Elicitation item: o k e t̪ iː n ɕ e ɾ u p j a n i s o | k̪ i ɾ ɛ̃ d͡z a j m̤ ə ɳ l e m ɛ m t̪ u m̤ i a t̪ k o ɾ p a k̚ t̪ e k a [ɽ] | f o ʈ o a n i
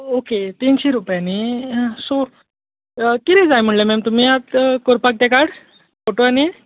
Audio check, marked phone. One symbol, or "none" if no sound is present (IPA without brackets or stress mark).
ɽ